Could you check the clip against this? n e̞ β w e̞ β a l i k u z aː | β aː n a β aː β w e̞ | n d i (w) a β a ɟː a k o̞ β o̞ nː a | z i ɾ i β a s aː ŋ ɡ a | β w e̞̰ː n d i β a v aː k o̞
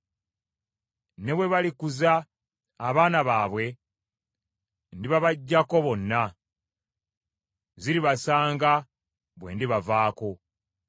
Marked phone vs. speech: incorrect: β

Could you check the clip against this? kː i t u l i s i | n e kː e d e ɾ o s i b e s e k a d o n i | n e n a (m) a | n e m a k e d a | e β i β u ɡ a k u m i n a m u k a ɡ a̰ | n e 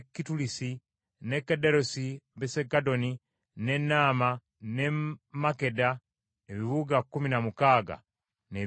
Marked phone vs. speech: correct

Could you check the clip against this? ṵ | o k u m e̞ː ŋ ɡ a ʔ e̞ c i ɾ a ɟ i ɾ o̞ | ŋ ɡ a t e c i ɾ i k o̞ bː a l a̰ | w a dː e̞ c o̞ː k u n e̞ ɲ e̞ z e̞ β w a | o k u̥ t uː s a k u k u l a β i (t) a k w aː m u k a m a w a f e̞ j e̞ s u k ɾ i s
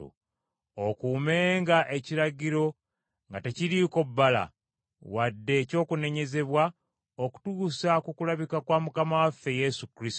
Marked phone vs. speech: incorrect: k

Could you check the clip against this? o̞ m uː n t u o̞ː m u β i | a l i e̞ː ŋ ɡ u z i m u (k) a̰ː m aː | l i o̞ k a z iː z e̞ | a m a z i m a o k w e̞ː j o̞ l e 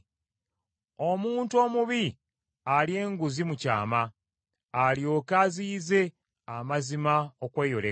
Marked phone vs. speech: incorrect: c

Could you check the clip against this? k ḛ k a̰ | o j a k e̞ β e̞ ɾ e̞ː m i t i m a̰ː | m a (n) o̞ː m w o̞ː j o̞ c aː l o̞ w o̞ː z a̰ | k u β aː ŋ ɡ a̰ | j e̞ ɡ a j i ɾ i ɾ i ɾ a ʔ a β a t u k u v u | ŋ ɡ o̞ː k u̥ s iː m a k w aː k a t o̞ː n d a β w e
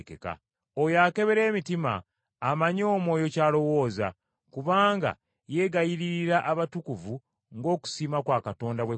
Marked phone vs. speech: incorrect: ɲ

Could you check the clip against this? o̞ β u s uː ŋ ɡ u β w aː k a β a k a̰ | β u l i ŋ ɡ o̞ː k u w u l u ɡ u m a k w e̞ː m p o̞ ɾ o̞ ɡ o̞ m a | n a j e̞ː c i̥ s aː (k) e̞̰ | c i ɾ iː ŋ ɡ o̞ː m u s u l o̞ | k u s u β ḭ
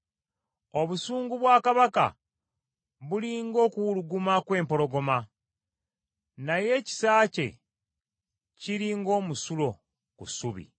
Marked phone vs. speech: incorrect: c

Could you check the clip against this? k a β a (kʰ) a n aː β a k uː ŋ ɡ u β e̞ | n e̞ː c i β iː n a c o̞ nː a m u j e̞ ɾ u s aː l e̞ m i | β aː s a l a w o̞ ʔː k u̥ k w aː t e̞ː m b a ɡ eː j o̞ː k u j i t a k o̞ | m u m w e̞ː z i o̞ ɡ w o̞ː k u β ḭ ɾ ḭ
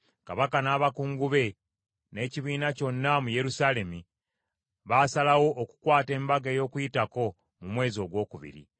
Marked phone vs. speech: incorrect: k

